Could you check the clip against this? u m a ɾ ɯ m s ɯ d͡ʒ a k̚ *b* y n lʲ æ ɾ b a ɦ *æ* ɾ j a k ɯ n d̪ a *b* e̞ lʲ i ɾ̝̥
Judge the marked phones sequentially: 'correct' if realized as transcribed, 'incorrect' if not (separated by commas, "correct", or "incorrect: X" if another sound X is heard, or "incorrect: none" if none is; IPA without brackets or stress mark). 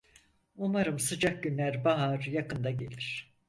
incorrect: ɟ, incorrect: a, incorrect: ɟ